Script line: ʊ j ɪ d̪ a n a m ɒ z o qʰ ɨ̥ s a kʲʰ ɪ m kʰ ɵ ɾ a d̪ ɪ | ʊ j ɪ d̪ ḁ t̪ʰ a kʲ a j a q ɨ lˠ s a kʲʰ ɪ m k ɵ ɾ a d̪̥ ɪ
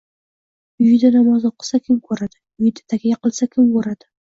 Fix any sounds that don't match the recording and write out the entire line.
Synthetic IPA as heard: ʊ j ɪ d̪ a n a m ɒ z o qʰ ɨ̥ s a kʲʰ ɪ m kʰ ɵ ɾ a d̪ ɪ | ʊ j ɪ d̪ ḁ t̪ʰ a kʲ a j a q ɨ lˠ s a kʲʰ ɪ m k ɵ ɾ a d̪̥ ɪ